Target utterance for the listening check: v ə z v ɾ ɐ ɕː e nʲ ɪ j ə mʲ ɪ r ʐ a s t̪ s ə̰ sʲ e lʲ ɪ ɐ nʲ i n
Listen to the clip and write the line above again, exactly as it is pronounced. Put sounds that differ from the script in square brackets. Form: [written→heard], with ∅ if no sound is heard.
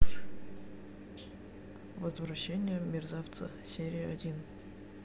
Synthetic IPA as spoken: v ə z v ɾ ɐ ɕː e nʲ ɪ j ə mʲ ɪ r [ʐ→z] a [s→f] t̪ s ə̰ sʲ e [lʲ→ɾʲ] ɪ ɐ [nʲ→dʲ] i n